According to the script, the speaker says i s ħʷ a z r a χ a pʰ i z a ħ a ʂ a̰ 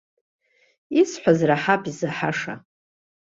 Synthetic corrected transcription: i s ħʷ a z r a ħ a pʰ i z a ħ a ʂ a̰

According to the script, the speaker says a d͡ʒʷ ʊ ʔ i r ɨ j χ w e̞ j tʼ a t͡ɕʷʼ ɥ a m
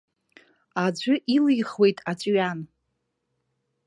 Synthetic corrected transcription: a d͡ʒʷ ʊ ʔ i l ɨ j χ w e̞ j tʼ a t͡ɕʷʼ ɥ a n

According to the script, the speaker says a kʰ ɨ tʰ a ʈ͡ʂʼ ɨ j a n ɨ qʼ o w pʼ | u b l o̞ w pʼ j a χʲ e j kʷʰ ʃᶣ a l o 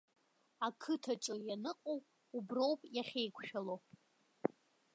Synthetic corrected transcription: a kʰ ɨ tʰ a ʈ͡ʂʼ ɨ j a n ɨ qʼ o w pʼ | u b r o̞ w pʼ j a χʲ e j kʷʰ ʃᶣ a l o

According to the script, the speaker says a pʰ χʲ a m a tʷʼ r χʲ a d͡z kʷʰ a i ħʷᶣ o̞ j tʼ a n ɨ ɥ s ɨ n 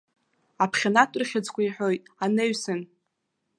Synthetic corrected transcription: a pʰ χʲ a n a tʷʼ r χʲ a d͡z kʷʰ a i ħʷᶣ o̞ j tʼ a n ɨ ɥ s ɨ n

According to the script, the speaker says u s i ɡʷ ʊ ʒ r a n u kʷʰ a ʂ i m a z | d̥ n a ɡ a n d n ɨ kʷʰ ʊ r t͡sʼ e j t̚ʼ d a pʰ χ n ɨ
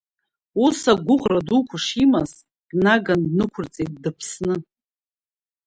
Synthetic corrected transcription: u s a ɡʷ ʊ ʁ r a d u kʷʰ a ʂ i m a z | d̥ n a ɡ a n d n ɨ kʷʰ ʊ r t͡sʼ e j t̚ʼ d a pʰ s n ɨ

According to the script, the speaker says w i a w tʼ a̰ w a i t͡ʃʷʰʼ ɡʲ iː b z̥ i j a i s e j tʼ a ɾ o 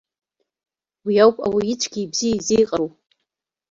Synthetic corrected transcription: w i a w pʼ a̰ w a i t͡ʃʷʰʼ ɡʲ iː b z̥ i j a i z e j qʼ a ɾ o

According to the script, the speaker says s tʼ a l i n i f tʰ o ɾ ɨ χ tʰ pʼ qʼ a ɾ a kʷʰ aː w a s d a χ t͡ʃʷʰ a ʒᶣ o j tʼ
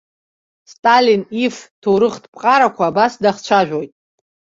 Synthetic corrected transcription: s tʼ a l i n i f tʰ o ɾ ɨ χ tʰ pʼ qʼ a ɾ a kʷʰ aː b a s d a χ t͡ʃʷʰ a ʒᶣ o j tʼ

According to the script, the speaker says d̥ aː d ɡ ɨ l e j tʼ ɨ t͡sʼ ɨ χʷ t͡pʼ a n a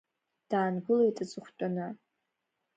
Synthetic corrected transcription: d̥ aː n ɡ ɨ l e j tʼ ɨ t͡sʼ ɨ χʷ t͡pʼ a n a

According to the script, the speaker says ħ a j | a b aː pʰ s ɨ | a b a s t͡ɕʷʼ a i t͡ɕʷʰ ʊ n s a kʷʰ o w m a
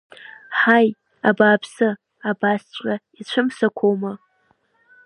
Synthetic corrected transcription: ħ a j | a b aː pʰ s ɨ | a b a s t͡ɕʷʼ a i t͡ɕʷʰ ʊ m s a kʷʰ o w m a

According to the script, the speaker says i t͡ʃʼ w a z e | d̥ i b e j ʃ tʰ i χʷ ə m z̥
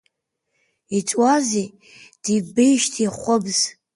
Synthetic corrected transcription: i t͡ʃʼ w a z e | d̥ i b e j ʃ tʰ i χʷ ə b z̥

